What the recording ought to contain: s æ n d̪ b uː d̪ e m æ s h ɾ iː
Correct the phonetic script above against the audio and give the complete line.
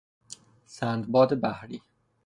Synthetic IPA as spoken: s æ n d̪ b ɒː d̪ e b æ h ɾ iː